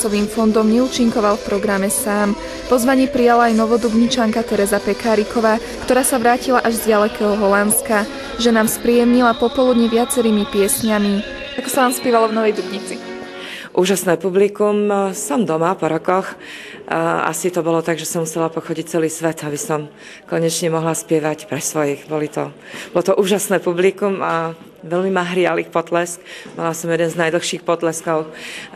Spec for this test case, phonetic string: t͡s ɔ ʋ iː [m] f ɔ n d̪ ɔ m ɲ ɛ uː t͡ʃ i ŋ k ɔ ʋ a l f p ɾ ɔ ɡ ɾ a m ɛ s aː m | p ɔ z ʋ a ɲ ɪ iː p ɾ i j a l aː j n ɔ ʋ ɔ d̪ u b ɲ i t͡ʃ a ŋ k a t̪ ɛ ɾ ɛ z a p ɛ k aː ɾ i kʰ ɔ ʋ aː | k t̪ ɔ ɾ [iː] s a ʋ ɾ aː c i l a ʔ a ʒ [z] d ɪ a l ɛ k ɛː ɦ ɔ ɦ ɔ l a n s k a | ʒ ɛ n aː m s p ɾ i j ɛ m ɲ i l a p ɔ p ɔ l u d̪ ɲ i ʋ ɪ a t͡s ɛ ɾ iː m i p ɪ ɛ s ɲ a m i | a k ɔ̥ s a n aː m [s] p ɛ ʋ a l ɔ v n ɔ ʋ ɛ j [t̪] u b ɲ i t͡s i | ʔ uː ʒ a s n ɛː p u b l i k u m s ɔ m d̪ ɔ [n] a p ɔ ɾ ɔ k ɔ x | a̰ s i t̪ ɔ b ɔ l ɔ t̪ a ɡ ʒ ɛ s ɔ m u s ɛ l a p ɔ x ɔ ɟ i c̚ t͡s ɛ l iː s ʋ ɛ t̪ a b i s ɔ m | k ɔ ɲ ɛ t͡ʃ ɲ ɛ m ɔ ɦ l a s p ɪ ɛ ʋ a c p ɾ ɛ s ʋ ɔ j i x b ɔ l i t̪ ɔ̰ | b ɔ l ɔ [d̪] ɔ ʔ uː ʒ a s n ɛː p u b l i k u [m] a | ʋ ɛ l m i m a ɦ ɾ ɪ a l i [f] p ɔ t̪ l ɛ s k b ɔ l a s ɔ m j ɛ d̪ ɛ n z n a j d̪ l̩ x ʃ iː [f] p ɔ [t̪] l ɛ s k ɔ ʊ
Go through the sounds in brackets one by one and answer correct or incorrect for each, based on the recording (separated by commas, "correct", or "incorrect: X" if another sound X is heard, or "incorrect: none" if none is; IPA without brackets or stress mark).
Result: correct, incorrect: aː, correct, correct, incorrect: d̪, incorrect: m, incorrect: t̪, correct, incorrect: x, incorrect: x, correct